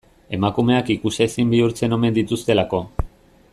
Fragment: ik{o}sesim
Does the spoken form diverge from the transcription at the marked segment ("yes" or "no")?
yes